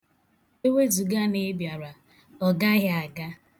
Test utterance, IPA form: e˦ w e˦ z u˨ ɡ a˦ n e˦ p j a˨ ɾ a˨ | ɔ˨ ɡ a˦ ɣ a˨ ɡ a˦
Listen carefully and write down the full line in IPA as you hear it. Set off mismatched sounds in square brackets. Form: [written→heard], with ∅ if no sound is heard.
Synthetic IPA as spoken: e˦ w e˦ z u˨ ɡ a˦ n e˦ [p→b] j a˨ ɾ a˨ | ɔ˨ ɡ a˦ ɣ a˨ ɡ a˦